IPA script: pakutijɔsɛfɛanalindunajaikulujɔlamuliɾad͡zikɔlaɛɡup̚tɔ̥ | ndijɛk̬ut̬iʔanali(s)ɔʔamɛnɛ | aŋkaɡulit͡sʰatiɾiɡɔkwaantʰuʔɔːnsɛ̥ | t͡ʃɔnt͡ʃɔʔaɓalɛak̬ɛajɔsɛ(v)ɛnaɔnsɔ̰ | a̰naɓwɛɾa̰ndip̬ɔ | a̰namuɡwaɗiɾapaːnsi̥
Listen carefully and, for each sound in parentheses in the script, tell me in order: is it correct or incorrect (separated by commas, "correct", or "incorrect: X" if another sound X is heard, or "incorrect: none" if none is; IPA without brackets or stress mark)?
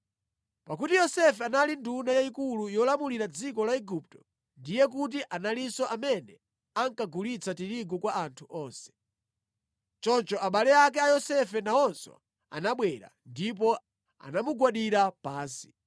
correct, incorrect: f